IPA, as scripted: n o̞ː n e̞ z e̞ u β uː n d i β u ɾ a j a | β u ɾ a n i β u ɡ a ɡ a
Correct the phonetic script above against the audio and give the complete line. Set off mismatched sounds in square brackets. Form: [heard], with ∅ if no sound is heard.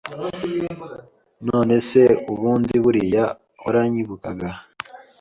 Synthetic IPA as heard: n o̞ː n e̞ [s] e̞ u β uː n d i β u ɾ [i] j a | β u ɾ a [ɲ] i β u [k] a ɡ a

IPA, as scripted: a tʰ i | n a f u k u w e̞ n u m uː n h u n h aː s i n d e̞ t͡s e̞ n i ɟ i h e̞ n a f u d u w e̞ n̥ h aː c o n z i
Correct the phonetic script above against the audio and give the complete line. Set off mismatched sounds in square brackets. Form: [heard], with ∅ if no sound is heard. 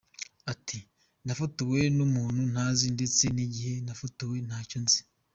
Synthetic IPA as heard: a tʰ i | n a f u [t] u w e̞ n u m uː n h u n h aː [z] i n d e̞ t͡s e̞ n i ɟ i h e̞ n a f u [t] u w e̞ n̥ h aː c o n z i

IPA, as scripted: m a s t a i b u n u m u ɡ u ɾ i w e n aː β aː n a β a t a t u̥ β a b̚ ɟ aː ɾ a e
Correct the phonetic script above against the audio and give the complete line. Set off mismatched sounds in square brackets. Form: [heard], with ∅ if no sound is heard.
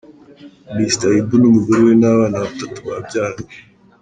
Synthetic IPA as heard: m [i] s t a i b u n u m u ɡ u ɾ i w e n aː β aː n a β a t a t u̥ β a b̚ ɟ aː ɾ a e

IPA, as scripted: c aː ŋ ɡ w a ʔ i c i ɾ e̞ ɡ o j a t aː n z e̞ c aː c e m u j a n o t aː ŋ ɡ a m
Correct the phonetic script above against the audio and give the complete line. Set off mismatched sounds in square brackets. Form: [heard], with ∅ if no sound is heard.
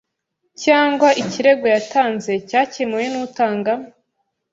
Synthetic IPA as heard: c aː ŋ ɡ w a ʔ i c i ɾ e̞ ɡ o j a t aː n z e̞ c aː c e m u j [e] n [u] t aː ŋ ɡ a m

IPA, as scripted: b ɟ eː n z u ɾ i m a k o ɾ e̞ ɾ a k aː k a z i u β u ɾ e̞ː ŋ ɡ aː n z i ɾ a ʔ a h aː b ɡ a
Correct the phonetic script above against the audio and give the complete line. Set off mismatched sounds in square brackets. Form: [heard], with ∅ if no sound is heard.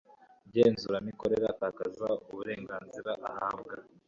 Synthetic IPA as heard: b ɟ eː n z u ɾ [a] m [i] k o ɾ e̞ ɾ a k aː k a z [a] u β u ɾ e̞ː ŋ ɡ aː n z i ɾ a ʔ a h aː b ɡ a

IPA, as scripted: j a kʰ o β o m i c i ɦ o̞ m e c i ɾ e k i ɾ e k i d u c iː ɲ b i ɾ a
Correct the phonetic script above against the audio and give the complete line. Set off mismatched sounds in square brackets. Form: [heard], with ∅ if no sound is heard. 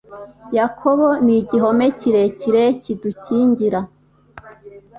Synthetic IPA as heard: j a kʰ o β o [n] i [ɟ] i ɦ o̞ m e c i ɾ e [c] i ɾ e [c] i d u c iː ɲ [ɟ] i ɾ a

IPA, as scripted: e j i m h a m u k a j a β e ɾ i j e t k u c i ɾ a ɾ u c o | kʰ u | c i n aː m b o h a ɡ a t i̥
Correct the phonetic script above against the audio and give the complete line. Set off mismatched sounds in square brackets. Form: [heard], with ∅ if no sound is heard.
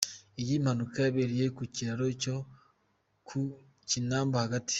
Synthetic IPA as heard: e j i m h a [n] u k a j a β e ɾ i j e [∅] k u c i ɾ a ɾ [o] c o | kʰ u | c i n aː m b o h a ɡ a t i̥

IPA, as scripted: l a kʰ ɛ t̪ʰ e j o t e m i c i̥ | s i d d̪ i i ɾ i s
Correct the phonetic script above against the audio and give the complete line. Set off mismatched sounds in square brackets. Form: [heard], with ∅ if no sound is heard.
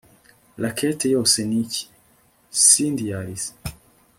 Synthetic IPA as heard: l a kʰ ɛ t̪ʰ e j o [s] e [n] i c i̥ | s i [n] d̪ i [a] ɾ i s

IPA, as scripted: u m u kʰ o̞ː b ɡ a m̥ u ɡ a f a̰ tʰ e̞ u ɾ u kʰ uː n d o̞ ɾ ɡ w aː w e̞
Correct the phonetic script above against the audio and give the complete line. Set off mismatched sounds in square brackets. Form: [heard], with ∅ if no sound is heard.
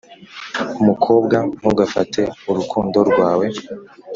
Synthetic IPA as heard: u m u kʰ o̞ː b ɡ a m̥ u ɡ a f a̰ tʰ e̞ u ɾ u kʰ uː n d o̞ ɾ ɡ w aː w e̞

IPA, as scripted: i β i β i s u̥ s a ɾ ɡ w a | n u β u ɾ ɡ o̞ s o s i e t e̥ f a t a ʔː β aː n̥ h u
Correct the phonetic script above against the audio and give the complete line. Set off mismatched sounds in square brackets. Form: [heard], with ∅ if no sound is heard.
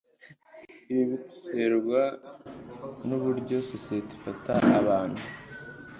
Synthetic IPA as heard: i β i β i [t] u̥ s [e] ɾ ɡ w a | n u β u ɾ [ɟ] o̞ s o s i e t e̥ f a t a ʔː β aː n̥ h u

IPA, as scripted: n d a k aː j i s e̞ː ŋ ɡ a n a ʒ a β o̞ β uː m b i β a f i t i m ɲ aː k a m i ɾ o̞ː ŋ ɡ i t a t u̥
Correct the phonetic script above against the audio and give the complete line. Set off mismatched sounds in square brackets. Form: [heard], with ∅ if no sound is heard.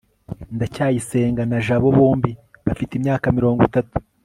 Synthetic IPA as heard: n d a [c] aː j i s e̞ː ŋ ɡ a n a ʒ a β o̞ β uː m b i β a f i t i m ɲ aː k a m i ɾ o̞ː ŋ ɡ i t a t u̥

